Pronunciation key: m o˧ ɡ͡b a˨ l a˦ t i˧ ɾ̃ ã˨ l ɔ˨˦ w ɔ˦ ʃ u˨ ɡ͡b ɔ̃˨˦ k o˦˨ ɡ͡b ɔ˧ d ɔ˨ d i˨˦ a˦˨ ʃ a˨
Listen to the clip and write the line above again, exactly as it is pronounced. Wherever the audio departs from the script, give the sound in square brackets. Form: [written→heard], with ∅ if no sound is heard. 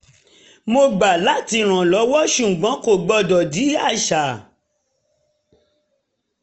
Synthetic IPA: m o˧ ɡ͡b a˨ l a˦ t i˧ ɾ̃ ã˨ l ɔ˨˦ w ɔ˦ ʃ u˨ ɡ͡b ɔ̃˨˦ k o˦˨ ɡ͡b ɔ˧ d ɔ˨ d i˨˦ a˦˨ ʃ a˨

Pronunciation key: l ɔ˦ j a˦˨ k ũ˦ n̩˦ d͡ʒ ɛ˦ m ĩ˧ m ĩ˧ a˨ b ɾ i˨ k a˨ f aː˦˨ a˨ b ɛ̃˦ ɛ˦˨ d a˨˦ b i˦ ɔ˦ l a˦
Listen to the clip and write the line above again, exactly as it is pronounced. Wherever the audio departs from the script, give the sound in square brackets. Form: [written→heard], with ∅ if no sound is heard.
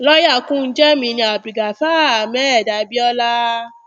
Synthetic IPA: l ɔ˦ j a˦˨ k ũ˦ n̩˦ d͡ʒ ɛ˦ m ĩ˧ [m→n] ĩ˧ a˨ b ɾ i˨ [k→ɡ] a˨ f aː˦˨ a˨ [b→m] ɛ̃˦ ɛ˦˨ d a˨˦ b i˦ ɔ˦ l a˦

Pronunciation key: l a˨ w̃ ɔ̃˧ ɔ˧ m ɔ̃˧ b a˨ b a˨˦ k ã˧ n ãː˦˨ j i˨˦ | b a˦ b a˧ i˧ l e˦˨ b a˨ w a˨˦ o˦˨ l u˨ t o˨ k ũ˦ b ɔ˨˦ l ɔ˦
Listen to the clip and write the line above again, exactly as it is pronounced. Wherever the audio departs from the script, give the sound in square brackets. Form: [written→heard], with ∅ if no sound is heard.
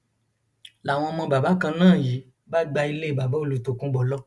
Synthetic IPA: l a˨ w̃ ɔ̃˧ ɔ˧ m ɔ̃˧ b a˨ b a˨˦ k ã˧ n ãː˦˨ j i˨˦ | b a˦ [b→ɡ͡b] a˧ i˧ l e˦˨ b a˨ [w→b] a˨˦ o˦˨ l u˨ t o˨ k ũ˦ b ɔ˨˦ l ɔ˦

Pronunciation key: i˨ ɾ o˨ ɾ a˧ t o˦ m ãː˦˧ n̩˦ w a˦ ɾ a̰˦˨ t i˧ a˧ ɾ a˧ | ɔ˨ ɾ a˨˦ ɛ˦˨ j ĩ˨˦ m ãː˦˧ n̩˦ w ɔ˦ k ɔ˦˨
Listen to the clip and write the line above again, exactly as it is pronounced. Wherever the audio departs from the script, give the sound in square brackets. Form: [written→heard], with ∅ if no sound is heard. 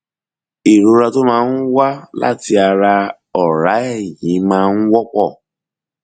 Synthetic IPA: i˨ ɾ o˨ ɾ a˧ t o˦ m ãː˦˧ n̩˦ w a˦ [ɾ→l] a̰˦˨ t i˧ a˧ ɾ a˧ | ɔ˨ ɾ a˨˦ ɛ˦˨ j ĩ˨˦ m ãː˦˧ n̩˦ w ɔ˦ [k→k͡p] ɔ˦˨

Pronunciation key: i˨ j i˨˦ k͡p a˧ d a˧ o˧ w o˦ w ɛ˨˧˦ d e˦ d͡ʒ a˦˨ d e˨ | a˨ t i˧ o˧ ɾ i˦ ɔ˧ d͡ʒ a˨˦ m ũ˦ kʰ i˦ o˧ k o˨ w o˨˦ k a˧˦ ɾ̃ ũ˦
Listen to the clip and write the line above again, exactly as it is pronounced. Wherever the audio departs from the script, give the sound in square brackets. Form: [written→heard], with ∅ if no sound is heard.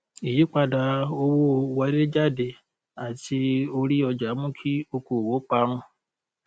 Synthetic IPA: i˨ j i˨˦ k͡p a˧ d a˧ o˧ w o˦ w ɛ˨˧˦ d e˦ d͡ʒ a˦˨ d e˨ | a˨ t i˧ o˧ ɾ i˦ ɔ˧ d͡ʒ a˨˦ m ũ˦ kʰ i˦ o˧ k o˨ w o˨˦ [k→k͡p] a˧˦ ɾ̃ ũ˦

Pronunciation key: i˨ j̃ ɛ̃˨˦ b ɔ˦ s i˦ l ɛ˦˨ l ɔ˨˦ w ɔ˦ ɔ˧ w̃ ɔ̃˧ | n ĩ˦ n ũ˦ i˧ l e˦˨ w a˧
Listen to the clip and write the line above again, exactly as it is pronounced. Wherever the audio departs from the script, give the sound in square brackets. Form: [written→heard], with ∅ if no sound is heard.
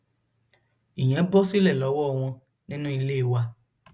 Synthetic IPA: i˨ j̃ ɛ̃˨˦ b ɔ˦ s i˦ l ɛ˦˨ l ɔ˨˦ w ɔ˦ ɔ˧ w̃ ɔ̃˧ | n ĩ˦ n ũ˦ i˧ l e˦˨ w a˧

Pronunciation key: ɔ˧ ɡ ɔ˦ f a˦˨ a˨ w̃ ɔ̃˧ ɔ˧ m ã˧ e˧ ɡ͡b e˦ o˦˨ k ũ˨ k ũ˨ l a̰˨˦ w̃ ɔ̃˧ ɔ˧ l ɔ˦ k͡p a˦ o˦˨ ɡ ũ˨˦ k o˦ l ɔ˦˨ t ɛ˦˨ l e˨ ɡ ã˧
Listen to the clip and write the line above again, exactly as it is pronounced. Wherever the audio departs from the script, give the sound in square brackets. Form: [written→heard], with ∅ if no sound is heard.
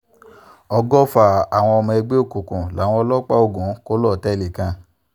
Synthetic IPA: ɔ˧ ɡ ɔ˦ f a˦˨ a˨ w̃ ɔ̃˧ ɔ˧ m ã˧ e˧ ɡ͡b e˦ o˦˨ k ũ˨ k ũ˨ l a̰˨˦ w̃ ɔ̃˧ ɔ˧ l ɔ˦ k͡p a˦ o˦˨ ɡ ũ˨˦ k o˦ l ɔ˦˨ t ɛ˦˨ l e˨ [ɡ→k] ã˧

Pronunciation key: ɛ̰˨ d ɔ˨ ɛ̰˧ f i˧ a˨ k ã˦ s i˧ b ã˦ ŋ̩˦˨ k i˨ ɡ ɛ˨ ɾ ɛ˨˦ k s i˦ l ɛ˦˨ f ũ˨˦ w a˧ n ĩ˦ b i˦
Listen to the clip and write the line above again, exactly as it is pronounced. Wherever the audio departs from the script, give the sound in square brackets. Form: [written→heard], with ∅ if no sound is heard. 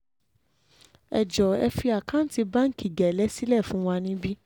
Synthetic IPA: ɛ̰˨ [d→d͡ʒ] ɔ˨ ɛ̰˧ f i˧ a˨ k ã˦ [s→t] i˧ b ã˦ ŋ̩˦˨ k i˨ ɡ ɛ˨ [ɾ→l] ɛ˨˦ [k→∅] s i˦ l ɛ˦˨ f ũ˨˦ w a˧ n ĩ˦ b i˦

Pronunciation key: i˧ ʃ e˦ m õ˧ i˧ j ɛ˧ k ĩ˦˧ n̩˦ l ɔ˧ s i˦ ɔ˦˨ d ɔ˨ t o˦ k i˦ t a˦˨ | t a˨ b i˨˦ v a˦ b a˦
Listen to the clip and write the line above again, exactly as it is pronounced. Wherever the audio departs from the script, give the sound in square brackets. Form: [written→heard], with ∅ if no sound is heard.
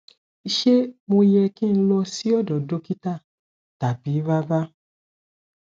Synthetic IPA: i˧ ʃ e˦ m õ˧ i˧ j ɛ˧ k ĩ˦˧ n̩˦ l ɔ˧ s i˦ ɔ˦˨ d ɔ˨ [t→d] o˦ k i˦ t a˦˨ | t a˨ b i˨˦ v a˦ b a˦

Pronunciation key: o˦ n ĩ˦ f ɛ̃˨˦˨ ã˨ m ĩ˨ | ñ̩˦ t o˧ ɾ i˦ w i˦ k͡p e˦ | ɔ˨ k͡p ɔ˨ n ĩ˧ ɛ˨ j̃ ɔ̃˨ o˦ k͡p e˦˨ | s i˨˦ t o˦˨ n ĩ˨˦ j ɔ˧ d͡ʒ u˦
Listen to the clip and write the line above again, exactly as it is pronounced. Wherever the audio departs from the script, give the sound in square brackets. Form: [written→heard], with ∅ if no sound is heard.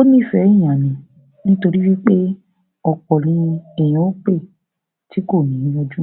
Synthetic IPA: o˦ n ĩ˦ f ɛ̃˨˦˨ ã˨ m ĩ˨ | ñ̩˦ t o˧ ɾ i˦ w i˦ k͡p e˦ | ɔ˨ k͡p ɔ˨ n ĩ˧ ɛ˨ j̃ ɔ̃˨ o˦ k͡p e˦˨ | [s→t] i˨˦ [t→k] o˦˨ n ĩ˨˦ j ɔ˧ d͡ʒ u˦

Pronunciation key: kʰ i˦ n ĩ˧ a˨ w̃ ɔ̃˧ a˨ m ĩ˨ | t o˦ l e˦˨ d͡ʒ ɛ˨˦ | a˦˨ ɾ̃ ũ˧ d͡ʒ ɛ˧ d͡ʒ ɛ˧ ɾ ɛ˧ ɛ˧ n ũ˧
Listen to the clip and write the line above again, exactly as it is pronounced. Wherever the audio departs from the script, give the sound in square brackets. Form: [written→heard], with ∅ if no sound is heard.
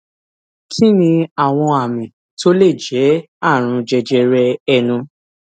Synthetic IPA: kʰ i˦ n ĩ˧ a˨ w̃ ɔ̃˧ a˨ m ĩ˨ | t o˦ l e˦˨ d͡ʒ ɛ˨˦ | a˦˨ ɾ̃ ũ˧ d͡ʒ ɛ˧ d͡ʒ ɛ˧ ɾ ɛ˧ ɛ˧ n ũ˧

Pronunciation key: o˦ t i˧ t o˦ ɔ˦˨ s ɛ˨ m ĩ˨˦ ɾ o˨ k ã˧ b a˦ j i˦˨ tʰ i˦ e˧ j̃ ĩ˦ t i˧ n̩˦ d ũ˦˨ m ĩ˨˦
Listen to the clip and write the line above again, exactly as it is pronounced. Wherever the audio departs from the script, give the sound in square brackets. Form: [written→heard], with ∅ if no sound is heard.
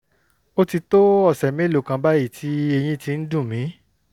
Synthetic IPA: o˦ t i˧ t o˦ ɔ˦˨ s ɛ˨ m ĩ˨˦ [ɾ→l] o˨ k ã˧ b a˦ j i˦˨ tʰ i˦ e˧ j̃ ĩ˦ t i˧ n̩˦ d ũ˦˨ m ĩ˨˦

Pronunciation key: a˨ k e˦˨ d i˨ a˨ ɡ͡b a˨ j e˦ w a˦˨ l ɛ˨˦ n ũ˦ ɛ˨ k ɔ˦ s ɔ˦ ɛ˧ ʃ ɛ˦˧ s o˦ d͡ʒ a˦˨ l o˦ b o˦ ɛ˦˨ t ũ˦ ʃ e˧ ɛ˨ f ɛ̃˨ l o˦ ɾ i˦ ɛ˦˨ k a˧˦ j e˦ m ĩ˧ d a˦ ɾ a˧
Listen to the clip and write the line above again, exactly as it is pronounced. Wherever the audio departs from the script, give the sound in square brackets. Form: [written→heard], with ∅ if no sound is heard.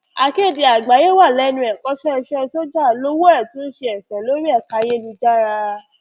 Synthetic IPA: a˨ k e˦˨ d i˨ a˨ ɡ͡b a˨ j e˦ w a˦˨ l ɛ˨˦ n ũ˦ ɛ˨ k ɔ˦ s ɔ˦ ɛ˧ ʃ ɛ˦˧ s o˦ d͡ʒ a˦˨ l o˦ [b→w] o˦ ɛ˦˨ t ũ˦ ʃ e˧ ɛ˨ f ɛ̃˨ l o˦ ɾ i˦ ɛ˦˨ k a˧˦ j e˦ [m→n] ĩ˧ [d→d͡ʒ] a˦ ɾ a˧

